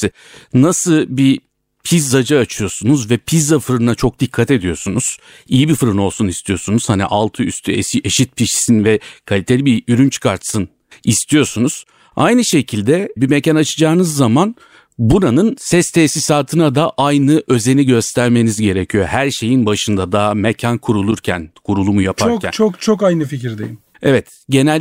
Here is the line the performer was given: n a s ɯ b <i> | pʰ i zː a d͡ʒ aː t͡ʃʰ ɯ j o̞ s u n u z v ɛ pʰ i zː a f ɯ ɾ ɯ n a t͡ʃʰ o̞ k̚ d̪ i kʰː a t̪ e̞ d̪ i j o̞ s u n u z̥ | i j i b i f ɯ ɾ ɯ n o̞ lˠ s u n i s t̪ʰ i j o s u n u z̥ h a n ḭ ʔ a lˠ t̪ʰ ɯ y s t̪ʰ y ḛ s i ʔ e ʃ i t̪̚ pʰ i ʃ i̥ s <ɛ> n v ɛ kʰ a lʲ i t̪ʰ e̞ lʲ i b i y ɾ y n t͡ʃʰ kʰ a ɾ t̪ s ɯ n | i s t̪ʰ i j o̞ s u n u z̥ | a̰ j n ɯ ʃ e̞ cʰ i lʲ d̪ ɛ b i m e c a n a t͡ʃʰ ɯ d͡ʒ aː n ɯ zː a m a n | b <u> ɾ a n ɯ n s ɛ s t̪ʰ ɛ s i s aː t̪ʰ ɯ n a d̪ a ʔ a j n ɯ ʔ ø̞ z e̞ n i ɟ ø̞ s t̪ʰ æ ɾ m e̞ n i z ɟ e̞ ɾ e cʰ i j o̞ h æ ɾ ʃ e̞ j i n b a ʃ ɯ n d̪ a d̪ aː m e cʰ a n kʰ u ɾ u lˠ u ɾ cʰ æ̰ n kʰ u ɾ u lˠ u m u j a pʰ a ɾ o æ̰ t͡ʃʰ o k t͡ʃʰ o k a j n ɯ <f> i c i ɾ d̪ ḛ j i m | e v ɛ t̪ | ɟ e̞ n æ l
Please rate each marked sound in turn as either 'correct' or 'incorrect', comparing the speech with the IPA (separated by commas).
correct, incorrect, correct, correct